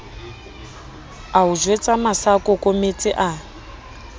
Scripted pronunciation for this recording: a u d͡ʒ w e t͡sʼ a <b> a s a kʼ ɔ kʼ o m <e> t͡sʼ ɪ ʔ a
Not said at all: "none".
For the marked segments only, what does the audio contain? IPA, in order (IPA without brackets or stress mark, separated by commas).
m, e